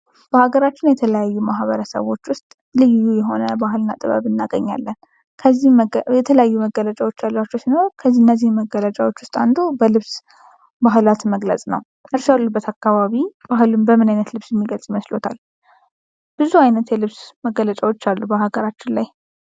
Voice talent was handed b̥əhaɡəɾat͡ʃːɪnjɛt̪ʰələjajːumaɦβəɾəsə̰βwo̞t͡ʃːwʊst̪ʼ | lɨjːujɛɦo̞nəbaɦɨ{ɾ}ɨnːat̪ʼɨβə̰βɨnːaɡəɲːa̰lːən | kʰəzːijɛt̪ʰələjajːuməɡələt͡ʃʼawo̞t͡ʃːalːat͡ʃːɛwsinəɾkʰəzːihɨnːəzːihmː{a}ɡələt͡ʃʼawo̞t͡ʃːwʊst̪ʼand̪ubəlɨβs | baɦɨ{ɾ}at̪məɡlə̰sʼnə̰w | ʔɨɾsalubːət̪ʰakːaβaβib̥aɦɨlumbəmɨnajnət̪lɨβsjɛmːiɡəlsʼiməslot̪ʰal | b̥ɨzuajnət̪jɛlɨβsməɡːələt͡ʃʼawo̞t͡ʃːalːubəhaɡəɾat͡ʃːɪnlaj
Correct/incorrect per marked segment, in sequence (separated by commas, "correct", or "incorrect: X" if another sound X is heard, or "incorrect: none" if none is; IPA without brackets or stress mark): incorrect: l, incorrect: ə, incorrect: l